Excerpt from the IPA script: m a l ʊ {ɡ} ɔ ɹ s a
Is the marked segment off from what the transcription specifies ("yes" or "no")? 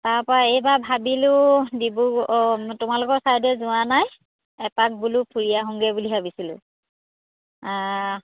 yes